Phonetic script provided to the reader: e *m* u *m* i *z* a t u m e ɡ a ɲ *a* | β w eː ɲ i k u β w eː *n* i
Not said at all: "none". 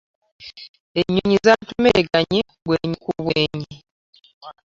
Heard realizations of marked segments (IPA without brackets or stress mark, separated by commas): ɲ, ɲ, z, i, ɲ